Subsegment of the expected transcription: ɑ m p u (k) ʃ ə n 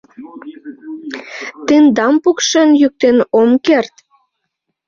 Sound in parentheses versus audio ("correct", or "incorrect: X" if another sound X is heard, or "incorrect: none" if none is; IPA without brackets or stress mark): correct